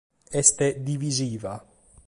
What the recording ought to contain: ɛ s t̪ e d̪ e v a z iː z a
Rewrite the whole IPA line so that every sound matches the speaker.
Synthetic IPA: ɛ s t̪ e d̪ i v i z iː v a